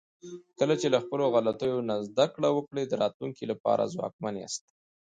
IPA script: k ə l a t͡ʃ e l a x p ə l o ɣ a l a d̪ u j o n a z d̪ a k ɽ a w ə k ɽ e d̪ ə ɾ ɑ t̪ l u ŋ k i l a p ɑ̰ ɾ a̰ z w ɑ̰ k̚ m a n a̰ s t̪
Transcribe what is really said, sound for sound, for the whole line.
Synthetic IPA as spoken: k ə l a t͡ʃ e l a x p ə l o ɣ a l a t̪ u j o n a z d̪ a k ɽ a w ə k ɽ e d̪ ə ɾ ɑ t̪ l u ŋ k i l a p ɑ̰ ɾ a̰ z w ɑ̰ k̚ m a n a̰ s t̪